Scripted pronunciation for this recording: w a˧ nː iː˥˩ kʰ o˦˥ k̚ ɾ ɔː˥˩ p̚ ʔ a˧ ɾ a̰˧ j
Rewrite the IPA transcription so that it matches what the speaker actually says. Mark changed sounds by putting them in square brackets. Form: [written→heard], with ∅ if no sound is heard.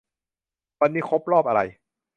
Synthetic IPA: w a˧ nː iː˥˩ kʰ o˦˥ [k̚→p̚] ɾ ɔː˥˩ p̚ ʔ a˧ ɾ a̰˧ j

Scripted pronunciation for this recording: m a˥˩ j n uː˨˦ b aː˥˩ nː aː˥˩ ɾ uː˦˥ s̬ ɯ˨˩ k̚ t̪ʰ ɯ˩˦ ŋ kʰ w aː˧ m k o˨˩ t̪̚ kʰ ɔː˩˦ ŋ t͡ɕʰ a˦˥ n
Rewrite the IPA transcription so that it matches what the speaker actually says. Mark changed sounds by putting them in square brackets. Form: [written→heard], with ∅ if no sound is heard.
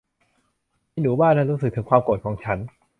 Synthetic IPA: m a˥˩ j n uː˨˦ b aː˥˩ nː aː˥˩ ɾ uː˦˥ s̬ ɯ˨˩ k̚ t̪ʰ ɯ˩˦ ŋ kʰ w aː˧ m k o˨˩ t̪̚ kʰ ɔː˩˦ ŋ t͡ɕʰ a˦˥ n

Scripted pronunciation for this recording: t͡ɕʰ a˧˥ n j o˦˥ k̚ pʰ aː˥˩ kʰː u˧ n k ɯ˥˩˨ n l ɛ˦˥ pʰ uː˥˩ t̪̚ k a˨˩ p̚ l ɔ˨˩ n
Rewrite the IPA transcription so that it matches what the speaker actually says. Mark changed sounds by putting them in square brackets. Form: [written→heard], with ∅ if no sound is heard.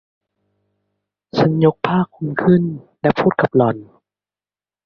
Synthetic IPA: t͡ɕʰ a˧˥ n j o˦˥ k̚ pʰ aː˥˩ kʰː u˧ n [k→kʰ] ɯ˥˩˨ n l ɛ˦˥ pʰ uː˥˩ t̪̚ k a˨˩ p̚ l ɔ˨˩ n

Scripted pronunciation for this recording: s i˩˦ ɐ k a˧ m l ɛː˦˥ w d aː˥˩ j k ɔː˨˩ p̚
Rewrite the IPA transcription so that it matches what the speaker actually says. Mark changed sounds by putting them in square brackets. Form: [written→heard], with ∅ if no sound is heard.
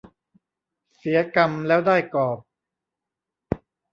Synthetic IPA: s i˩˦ ɐ k a˧ m l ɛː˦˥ w d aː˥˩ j k ɔː˨˩ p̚

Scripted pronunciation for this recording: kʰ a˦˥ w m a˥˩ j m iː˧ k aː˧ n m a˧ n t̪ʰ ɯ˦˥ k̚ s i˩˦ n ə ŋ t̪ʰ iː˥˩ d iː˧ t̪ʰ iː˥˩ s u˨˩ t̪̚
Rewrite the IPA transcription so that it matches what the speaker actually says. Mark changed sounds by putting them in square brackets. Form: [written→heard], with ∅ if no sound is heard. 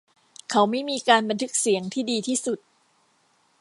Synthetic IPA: kʰ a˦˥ w m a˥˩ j m iː˧ k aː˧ n [m→b] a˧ n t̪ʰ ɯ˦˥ k̚ s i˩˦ [n→∅] ə ŋ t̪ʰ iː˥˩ d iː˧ t̪ʰ iː˥˩ s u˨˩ t̪̚

